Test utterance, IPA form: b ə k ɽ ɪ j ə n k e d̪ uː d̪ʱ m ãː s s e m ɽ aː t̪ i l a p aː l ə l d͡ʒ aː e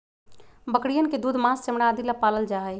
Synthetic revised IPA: b ə k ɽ i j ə n k e d̪ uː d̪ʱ m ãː s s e m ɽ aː d̪ i l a p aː l ə l d͡ʒ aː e

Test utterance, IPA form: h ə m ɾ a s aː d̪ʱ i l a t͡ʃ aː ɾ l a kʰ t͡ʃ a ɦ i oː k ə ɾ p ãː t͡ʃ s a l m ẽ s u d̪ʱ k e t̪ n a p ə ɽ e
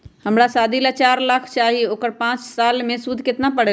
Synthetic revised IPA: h ə m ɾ a s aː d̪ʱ i l a t͡ʃ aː ɾ l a kʰ t͡ʃ a ɦ i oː k ə ɾ p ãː t͡ʃ s a l m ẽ s u d̪ʱ k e t̪ n a p ə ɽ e

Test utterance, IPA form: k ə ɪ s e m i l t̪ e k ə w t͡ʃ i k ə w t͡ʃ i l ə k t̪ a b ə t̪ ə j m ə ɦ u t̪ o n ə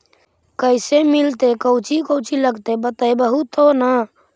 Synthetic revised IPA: k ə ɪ s e m i l t̪ e k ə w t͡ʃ i k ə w t͡ʃ i l ə ɡ t̪ e b ə t̪ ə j b ə ɦ u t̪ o n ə

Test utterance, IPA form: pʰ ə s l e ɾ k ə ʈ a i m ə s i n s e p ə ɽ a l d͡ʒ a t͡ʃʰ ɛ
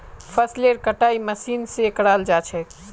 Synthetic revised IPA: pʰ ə s l e ɾ k ə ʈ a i m ə s i n s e k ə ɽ a l d͡ʒ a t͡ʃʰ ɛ

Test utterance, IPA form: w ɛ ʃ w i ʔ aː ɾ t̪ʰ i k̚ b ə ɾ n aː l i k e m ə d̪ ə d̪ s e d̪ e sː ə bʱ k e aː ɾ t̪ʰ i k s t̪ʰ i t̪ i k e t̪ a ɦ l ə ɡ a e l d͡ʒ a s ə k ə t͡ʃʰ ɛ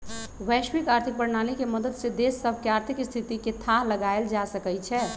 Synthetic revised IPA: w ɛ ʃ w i k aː ɾ t̪ʰ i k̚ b ə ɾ n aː l i k e m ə d̪ ə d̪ s e d̪ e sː ə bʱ k e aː ɾ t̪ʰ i k s t̪ʰ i t̪ i k e t̪ʰ a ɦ l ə ɡ a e l d͡ʒ a s ə k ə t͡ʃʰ ɛ

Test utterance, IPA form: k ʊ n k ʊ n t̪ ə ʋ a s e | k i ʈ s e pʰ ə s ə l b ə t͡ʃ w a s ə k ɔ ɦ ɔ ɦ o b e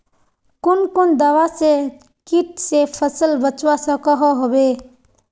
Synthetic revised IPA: k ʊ n k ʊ n d̪ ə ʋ a s e | k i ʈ s e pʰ ə s ə l b ə t͡ʃ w a s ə k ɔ ɦ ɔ ɦ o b e

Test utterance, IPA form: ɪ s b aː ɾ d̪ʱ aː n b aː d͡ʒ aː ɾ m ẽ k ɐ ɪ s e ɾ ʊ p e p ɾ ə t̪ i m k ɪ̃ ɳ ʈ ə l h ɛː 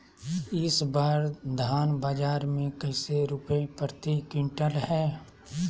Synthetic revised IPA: ɪ s b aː ɾ d̪ʱ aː n b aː d͡ʒ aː ɾ m ẽ k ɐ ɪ s e ɾ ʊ p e p ɾ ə t̪ i k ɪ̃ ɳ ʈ ə l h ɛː

